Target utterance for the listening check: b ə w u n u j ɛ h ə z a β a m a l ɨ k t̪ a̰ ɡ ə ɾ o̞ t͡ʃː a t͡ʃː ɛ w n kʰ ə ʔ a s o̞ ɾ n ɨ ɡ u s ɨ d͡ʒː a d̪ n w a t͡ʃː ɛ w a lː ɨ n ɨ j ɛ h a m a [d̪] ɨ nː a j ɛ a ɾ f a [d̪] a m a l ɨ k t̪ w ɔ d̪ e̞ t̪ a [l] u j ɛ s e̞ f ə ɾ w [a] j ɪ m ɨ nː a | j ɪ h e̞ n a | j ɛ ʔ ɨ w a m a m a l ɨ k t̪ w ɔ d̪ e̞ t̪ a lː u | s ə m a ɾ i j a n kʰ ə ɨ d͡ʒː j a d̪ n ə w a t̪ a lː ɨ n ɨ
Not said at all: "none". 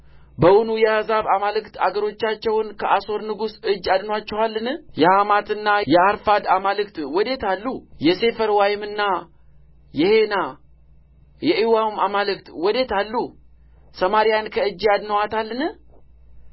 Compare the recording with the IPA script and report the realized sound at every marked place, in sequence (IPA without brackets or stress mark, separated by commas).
t̪, d̪, lː, a